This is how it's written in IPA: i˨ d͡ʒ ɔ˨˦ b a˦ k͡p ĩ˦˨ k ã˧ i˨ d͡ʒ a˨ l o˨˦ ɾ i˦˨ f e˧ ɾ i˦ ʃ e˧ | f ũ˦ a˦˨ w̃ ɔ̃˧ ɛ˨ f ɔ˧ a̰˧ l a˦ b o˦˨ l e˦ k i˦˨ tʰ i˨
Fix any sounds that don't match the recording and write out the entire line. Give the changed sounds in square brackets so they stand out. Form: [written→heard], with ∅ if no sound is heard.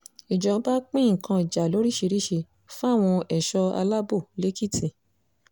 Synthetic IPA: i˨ d͡ʒ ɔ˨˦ b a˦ k͡p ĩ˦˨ k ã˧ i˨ d͡ʒ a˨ l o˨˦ ɾ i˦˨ [f→ʃ] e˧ ɾ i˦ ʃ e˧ | f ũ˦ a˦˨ w̃ ɔ̃˧ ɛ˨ [f→ʃ] ɔ˧ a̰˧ l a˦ b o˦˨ l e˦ k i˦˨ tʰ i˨